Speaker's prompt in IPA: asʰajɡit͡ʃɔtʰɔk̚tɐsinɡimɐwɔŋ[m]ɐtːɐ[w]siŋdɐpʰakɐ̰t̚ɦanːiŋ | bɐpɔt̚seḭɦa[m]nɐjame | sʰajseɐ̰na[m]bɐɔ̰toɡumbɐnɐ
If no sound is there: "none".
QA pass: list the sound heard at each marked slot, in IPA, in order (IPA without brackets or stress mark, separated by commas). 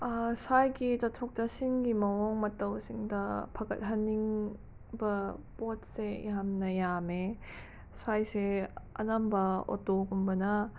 m, w, m, m